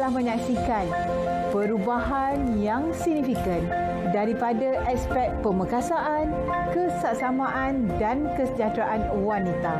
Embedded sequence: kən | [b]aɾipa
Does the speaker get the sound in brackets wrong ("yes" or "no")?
yes